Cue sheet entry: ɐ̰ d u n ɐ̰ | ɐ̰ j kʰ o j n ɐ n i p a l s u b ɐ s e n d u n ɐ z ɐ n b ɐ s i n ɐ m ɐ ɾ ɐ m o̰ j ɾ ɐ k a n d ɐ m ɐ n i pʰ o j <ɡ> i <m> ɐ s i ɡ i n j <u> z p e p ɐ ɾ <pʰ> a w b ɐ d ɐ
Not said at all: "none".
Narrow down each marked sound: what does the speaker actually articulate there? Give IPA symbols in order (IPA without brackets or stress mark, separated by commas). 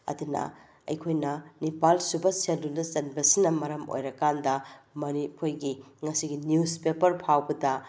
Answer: ɡ, ŋ, u, pʰ